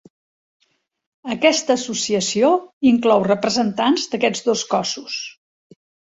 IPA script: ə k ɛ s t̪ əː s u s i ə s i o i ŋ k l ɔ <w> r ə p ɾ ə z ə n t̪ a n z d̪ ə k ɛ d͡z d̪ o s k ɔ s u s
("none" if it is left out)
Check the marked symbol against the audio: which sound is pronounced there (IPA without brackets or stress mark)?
w